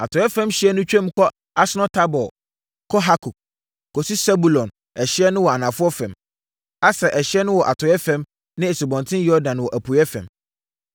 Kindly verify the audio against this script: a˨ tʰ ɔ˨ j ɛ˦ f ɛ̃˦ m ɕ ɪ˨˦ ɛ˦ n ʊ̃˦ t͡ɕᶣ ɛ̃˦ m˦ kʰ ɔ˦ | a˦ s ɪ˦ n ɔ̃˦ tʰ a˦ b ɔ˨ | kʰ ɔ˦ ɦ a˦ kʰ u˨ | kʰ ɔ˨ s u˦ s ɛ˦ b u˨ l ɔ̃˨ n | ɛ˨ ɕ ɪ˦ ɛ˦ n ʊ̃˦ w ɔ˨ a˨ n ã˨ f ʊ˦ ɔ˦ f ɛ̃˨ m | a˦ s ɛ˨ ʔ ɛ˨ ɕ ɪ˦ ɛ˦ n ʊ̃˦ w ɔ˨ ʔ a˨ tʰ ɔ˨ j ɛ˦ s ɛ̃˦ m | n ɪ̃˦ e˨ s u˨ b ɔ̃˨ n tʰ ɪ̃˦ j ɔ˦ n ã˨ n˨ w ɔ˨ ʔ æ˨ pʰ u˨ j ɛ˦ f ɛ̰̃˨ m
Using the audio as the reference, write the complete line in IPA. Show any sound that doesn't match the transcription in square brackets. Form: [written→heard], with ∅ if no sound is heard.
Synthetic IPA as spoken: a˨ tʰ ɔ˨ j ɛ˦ f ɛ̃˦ m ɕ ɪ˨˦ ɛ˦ n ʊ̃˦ t͡ɕᶣ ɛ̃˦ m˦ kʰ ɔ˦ | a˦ s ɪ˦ n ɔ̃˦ tʰ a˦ b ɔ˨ | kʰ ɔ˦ ɦ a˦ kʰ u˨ | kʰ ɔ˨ s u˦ s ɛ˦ b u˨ l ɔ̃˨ n | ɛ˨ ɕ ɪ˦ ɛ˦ n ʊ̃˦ w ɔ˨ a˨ n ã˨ f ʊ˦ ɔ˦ f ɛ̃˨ m | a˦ s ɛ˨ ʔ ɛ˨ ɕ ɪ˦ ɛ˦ n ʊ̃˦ w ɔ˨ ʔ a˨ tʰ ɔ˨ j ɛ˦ [s→f] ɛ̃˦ m | n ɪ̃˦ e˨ s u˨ b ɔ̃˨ n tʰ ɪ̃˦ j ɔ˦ [n→d] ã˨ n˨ w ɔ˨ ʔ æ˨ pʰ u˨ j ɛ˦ f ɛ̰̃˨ m